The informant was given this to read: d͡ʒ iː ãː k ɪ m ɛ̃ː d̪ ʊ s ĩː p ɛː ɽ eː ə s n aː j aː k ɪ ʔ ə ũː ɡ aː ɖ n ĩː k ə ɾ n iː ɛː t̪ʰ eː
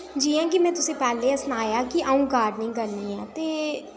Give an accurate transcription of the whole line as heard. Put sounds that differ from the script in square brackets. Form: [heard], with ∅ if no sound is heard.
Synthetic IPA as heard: d͡ʒ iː ãː k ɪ m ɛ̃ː [t̪] ʊ s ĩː p ɛː [l] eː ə s n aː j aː k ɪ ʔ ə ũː ɡ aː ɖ n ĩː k ə ɾ n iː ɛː [t̪] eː